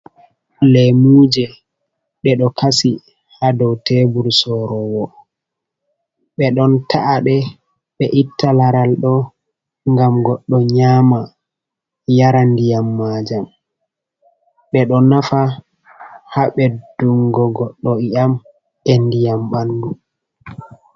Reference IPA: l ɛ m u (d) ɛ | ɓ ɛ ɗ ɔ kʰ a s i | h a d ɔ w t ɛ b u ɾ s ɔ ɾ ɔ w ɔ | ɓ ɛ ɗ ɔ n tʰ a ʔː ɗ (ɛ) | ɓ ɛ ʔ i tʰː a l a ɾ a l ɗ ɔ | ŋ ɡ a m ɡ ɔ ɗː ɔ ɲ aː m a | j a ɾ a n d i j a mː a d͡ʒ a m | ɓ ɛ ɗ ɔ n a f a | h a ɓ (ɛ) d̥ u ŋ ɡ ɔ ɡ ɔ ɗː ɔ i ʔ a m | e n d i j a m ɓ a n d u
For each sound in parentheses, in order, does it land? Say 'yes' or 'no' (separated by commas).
no, yes, yes